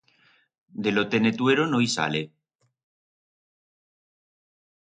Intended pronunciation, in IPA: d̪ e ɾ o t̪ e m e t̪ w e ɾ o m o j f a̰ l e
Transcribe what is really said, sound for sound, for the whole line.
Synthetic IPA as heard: d̪ e l o t̪ e n e t̪ w e ɾ o n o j s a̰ l e